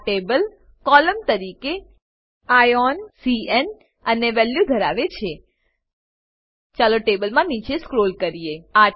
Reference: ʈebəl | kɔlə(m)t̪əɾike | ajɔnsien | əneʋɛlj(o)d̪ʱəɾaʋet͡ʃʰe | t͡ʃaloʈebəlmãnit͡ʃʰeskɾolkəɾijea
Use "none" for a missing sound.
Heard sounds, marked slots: m, u

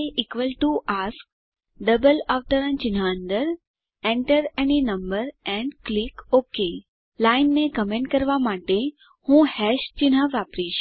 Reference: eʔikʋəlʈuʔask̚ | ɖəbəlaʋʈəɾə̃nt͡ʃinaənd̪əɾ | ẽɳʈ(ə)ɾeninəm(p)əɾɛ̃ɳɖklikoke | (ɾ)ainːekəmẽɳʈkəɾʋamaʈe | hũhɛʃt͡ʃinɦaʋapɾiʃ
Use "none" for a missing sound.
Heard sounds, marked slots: ə, b, l

